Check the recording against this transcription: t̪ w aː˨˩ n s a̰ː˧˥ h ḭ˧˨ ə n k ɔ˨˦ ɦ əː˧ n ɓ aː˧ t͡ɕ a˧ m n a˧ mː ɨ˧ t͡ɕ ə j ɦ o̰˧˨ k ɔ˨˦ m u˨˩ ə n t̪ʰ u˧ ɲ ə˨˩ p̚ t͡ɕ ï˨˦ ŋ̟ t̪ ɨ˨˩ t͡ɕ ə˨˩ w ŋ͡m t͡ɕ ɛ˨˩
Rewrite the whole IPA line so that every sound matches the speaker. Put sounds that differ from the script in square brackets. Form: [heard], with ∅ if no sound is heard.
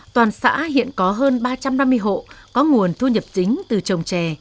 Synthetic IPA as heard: t̪ w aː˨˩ n s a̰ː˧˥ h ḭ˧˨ ə n k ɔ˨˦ ɦ əː˧ n ɓ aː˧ t͡ɕ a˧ m n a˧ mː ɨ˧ [∅] ə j ɦ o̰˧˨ k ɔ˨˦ [ŋ] u˨˩ ə n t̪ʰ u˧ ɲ ə˨˩ p̚ t͡ɕ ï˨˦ ŋ̟ t̪ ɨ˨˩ t͡ɕ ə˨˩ w ŋ͡m t͡ɕ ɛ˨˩